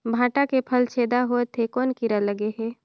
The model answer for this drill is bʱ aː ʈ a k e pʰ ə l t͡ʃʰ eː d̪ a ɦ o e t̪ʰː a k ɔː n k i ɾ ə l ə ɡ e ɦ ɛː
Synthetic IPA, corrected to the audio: bʱ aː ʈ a k e pʰ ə l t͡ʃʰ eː d̪ a ɦ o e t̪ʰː e k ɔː n k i ɾ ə l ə ɡ e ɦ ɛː